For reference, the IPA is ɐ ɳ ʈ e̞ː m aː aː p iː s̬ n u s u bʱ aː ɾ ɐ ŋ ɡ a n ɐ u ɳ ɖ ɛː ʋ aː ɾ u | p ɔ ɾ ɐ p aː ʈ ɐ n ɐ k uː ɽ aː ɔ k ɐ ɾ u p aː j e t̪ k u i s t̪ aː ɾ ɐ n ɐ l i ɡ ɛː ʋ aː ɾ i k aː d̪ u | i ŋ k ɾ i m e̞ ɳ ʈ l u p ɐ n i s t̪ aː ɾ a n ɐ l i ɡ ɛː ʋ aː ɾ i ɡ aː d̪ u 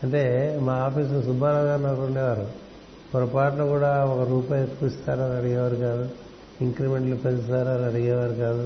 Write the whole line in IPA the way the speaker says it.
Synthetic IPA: ɐ ɳ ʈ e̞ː m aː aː p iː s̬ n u s u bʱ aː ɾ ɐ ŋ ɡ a n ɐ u ɳ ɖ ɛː ʋ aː ɾ u | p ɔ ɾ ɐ p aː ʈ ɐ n ɐ k uː ɽ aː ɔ k ɐ ɾ uː p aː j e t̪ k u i s t̪ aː ɾ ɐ n ɐ ɽ i ɡ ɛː ʋ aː ɾ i k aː d̪ u | i ŋ k ɾ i m e̞ ɳ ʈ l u p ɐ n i s t̪ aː ɾ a n ɐ ɽ i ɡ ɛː ʋ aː ɾ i k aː d̪ u